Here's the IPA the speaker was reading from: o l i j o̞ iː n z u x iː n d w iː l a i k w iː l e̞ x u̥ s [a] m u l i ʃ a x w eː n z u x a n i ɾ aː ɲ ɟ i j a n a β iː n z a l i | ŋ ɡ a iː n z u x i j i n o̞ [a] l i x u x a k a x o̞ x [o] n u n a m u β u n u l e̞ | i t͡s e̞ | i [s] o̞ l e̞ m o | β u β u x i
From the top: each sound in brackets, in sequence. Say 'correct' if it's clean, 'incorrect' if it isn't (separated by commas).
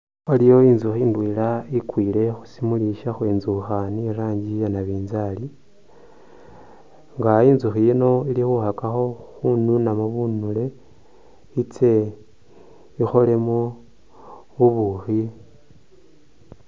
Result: incorrect, incorrect, incorrect, incorrect